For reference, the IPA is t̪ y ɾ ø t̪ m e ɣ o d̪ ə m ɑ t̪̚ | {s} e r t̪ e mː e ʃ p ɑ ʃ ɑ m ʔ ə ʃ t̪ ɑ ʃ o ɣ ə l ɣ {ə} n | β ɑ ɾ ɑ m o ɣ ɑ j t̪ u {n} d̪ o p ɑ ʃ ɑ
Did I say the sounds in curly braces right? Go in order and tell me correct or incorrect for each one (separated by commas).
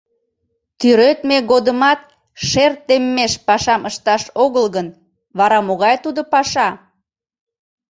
incorrect, correct, incorrect